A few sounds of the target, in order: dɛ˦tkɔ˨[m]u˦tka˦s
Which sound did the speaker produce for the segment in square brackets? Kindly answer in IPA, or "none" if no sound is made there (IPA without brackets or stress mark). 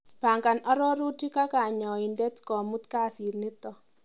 m